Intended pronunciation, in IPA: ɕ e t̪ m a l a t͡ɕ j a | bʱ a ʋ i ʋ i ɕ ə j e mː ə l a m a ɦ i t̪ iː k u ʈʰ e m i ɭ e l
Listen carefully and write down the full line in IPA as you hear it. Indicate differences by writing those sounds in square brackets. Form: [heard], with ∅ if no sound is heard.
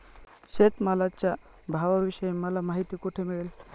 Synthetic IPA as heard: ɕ e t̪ m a l a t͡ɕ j a | bʱ a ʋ [a] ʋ i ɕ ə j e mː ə l a m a ɦ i t̪ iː k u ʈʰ e m i ɭ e l